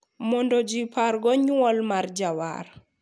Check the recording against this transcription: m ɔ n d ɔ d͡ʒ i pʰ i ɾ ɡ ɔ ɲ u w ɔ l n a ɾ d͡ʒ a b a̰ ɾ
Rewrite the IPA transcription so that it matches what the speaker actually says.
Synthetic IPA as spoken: m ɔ n d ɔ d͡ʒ i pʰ a ɾ ɡ ɔ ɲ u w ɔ l m a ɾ d͡ʒ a w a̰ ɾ